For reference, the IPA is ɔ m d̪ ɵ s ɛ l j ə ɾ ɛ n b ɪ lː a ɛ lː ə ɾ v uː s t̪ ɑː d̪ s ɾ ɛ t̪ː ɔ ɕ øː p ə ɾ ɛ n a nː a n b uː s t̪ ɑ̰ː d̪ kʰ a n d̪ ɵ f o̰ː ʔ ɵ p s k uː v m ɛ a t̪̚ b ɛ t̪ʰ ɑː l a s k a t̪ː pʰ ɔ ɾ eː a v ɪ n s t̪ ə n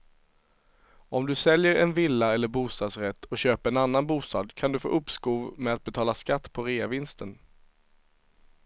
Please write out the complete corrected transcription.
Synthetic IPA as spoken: ɔ m d̪ ɵ s ɛ l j ə ɾ ɛ n v ɪ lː a ɛ lː ə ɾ b uː s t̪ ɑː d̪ s ɾ ɛ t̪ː ɔ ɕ øː p ə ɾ ɛ n a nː a n b uː s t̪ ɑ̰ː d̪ kʰ a n d̪ ɵ f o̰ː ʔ ɵ p s k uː v m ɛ a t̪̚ b ɛ t̪ʰ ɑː l a s k a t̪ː pʰ ɔ ɾ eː a v ɪ n s t̪ ə n